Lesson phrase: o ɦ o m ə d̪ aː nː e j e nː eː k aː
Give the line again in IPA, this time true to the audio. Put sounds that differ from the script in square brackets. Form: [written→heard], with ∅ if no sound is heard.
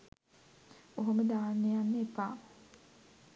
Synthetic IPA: o ɦ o m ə d̪ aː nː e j [e→a] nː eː [k→p] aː